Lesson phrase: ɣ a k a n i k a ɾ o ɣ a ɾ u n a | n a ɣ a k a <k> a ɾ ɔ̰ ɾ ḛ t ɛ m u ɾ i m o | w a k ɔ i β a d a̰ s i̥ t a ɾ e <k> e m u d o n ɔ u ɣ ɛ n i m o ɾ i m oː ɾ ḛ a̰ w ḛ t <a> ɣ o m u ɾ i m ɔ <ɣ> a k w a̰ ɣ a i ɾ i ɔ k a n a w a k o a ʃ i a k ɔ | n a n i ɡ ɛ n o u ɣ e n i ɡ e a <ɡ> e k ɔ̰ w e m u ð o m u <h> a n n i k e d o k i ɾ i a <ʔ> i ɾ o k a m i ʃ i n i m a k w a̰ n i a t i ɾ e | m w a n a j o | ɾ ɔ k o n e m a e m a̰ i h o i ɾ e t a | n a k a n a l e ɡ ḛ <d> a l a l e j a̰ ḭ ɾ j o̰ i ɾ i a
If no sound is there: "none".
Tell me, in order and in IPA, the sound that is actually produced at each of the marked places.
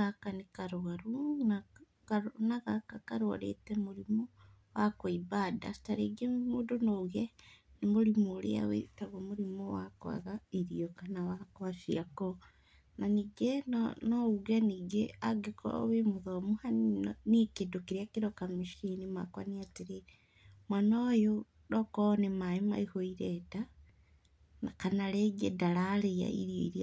k, ɡ, a, w, ɡ, h, k, d

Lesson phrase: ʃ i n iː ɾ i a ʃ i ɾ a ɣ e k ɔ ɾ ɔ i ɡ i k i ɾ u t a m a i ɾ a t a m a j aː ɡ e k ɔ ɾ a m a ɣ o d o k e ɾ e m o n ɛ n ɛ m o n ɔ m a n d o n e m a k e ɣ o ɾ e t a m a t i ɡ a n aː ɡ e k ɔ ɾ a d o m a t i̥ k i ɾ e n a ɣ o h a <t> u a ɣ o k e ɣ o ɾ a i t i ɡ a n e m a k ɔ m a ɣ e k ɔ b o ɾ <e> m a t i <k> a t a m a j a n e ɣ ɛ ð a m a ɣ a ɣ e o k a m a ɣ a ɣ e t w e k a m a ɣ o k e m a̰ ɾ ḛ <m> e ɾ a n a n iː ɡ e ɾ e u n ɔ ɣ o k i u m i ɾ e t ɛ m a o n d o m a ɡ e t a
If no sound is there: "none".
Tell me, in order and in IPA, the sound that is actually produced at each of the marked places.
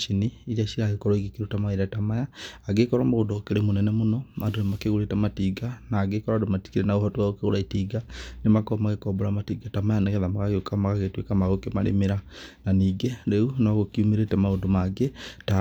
t, a, ɡ, m

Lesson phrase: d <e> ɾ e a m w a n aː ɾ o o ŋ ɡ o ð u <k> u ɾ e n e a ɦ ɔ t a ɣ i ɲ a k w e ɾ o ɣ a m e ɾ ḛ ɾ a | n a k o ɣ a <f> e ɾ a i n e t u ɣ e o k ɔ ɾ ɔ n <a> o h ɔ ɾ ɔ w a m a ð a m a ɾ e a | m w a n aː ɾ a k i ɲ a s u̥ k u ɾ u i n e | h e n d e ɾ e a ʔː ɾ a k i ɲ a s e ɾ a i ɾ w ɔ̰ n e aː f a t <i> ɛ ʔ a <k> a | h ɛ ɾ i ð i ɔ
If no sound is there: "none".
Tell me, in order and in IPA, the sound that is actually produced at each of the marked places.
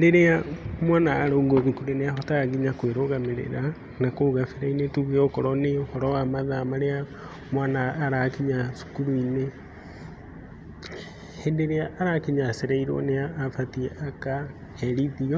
e, k, f, e, i, k

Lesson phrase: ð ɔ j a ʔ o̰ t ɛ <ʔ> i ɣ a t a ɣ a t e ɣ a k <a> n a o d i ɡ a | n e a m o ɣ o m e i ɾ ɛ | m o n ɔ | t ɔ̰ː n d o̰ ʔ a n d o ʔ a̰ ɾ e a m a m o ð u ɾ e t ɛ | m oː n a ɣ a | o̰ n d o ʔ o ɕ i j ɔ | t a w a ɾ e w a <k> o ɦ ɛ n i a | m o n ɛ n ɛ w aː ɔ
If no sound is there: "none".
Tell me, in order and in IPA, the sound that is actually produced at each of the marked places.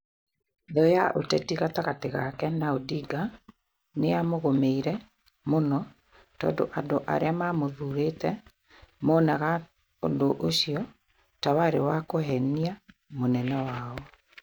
t, ɛ, k

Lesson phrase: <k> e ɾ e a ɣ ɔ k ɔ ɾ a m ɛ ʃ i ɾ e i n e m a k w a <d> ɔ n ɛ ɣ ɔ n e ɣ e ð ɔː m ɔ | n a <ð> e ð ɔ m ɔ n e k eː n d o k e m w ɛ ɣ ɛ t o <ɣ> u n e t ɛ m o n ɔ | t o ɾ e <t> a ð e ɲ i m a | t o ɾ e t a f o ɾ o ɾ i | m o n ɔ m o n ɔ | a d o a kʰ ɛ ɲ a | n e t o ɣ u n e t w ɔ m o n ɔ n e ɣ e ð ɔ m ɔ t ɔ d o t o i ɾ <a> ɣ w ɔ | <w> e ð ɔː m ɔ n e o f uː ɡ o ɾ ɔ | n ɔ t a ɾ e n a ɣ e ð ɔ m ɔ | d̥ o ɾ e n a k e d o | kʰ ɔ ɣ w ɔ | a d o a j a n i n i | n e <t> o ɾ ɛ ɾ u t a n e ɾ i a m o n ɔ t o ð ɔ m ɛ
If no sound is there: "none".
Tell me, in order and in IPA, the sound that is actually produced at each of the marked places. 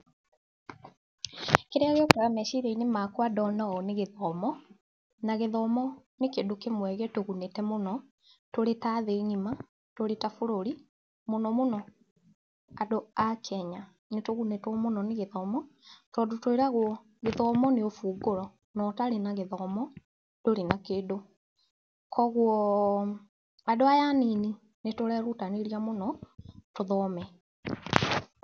k, d, ɣ, ɣ, t, a, ɣ, t

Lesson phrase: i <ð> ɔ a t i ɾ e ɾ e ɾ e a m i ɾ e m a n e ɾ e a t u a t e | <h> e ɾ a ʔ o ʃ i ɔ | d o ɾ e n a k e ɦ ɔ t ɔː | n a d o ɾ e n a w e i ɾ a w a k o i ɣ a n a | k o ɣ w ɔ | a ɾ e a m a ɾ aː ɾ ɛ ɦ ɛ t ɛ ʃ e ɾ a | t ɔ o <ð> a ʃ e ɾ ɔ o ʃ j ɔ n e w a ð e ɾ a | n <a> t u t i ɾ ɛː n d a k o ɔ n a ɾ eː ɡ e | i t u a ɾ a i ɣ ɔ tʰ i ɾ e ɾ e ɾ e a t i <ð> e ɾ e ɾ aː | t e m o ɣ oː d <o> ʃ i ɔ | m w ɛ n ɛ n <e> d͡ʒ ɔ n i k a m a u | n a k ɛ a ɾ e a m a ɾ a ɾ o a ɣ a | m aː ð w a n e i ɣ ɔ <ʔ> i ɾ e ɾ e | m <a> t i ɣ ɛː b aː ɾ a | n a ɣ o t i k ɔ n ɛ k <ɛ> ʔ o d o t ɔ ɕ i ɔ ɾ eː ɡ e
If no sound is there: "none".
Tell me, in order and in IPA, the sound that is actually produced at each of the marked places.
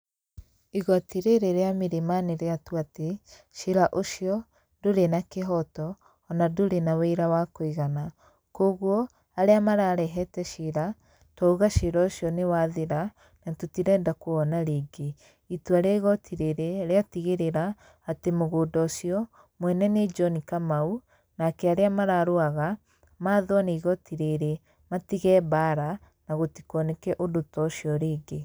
ɣ, ʃ, ɣ, a, ɣ, ɔ, e, t, a, ɛ

